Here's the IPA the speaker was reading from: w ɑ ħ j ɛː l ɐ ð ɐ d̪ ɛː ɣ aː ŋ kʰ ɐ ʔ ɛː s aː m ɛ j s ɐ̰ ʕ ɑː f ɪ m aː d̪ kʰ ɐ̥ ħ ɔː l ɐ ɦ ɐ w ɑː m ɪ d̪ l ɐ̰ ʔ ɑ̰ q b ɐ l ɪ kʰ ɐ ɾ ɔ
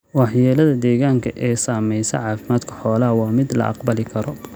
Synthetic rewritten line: w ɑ ħ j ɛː l ɐ ð ɐ d̪ ɛː ɣ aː ŋ kʰ ɐ ʔ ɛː s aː m ɛ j s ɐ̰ ʕ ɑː f ɪ m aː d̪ kʰ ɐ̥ ħ ɔː l ɐ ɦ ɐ w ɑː m ɪ d̪ l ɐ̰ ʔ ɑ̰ q b ɐ l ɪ kʰ ɐ ɾ ɔ